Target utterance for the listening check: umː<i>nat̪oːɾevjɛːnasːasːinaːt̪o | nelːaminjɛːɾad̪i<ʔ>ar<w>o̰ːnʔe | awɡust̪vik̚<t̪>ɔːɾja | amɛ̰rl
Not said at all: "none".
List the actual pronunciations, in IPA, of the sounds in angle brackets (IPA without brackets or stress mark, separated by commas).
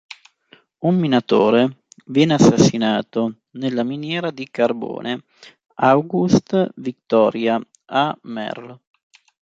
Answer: i, k, b, t̪